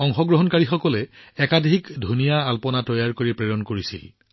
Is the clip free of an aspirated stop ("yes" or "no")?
yes